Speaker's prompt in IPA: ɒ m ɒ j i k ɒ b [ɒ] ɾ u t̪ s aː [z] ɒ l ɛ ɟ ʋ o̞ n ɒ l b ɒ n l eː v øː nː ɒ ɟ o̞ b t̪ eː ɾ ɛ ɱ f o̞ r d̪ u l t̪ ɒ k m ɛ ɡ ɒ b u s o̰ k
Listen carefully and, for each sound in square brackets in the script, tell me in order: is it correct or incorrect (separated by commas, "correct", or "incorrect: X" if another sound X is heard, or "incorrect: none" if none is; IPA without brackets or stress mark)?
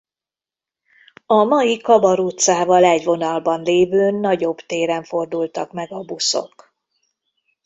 correct, incorrect: v